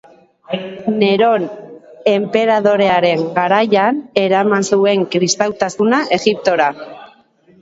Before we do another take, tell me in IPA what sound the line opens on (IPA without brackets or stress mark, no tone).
n